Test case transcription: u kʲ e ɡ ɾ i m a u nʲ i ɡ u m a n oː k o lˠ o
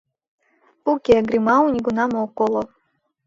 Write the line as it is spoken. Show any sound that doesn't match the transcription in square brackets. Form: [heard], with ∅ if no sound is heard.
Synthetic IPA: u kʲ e ɡ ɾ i m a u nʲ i ɡ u [n] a [m] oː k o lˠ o